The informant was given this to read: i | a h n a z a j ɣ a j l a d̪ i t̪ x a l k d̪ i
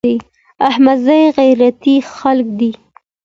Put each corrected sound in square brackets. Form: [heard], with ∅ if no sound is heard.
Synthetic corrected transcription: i | a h [m] a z a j ɣ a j [ɾ] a [t̪] i [∅] x a l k d̪ i